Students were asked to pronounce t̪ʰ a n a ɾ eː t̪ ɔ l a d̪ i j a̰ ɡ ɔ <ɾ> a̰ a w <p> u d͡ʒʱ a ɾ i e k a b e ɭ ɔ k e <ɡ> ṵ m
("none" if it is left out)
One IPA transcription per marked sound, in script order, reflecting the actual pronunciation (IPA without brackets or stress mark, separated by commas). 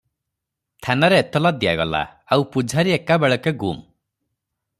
l, p, ɡ